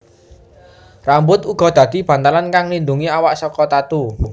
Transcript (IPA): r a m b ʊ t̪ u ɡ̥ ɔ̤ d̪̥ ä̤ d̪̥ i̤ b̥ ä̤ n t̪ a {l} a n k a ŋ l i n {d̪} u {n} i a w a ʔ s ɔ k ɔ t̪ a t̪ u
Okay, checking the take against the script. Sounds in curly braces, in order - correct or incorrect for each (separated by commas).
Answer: correct, correct, incorrect